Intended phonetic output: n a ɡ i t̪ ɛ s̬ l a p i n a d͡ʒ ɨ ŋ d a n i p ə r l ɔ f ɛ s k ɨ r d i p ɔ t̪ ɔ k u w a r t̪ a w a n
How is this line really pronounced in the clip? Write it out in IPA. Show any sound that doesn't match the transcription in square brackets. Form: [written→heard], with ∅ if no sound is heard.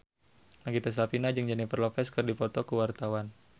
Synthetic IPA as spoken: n a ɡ i t̪ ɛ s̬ l a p i n a d͡ʒ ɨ ŋ [d→d͡ʒ] a n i p ə r l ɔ f ɛ s k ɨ r d i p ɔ t̪ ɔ k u w a r t̪ a w a n